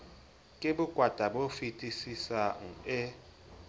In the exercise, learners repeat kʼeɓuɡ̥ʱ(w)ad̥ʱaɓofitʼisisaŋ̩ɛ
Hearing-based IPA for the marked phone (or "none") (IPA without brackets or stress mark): w